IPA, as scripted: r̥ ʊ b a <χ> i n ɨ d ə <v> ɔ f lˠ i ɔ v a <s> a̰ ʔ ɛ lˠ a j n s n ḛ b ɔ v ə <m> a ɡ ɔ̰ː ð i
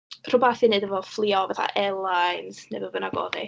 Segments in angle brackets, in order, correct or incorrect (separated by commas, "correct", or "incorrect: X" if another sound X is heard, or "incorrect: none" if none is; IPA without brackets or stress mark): incorrect: θ, correct, incorrect: θ, incorrect: n